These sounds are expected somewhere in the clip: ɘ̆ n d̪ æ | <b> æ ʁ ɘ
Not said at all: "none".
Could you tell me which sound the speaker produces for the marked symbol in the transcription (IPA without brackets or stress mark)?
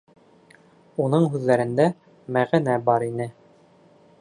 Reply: m